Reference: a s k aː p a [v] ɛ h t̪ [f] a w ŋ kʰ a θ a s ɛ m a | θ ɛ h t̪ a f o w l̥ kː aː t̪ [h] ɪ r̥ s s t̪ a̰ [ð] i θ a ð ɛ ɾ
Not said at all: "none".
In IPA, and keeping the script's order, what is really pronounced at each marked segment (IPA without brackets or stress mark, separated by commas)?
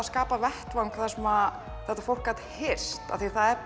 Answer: v, v, h, θ